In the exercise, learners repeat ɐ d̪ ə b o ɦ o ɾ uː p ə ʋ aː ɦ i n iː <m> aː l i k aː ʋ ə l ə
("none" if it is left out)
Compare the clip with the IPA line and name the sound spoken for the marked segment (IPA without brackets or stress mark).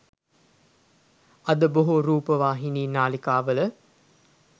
n